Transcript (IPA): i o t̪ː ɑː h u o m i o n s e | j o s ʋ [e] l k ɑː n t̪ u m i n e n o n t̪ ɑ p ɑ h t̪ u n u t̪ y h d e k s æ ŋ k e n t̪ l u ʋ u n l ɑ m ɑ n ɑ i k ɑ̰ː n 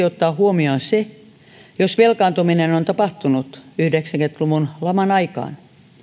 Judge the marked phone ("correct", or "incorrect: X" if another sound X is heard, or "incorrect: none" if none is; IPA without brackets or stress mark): correct